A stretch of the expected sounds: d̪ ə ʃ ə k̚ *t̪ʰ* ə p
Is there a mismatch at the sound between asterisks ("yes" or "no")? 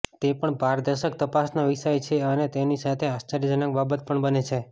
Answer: yes